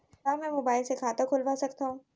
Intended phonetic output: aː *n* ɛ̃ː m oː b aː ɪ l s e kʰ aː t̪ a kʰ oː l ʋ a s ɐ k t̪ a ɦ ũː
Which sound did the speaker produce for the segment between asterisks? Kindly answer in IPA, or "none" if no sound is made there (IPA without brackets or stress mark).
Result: m